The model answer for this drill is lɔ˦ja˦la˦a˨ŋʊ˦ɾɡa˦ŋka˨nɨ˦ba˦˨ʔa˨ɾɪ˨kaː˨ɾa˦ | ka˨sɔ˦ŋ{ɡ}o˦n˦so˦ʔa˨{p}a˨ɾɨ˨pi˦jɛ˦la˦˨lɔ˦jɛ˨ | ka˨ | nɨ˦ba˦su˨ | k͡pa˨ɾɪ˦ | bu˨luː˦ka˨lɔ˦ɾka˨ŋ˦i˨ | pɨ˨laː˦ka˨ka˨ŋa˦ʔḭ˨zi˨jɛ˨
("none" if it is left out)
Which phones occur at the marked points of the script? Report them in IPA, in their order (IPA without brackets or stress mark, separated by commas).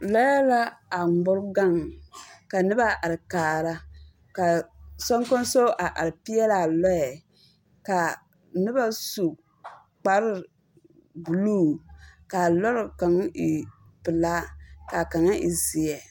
k, ʔ